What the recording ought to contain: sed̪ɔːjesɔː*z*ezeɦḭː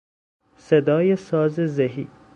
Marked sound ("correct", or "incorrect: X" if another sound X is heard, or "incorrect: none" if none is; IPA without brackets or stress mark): correct